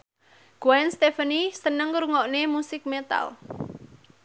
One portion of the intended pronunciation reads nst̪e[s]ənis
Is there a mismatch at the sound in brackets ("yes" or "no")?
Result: yes